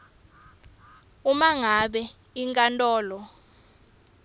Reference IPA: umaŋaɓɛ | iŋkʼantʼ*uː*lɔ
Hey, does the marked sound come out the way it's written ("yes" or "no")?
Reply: no